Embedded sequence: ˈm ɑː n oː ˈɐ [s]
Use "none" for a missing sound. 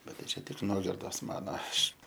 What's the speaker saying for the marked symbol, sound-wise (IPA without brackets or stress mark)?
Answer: ʃ